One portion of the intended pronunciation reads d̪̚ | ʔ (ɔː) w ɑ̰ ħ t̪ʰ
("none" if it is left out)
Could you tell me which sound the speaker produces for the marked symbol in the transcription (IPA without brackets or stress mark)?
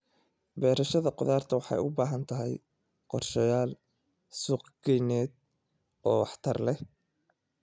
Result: ɔː